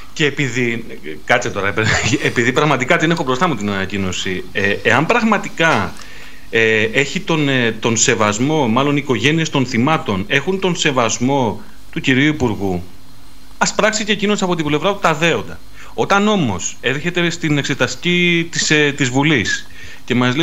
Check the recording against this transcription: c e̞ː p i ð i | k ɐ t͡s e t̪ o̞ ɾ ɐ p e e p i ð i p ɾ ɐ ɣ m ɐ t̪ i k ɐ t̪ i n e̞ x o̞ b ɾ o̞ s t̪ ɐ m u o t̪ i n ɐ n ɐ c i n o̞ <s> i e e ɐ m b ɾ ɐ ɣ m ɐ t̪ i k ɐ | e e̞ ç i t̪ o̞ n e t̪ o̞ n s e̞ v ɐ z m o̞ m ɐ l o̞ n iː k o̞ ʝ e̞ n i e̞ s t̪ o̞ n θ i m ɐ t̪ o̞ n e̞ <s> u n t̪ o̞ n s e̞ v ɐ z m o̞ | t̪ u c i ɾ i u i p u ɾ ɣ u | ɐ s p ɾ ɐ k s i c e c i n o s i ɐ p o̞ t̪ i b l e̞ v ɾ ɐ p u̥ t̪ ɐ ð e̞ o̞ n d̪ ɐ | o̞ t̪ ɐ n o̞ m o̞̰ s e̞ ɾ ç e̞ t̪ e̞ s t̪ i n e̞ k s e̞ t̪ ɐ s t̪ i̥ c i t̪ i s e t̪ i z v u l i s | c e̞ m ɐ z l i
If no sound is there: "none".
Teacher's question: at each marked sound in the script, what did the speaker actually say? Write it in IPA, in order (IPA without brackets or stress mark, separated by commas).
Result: s, x